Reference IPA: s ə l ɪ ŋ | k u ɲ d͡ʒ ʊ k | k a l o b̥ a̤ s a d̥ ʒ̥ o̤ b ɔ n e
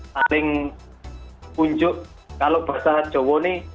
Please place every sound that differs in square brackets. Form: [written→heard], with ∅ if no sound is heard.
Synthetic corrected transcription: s [ə→a] l ɪ ŋ | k u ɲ d͡ʒ ʊ [k→ʔ] | k a l o b̥ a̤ s a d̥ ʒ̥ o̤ [b→w] ɔ n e